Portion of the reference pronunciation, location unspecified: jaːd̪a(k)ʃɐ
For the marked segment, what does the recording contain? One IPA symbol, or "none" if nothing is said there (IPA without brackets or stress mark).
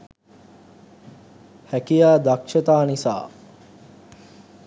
k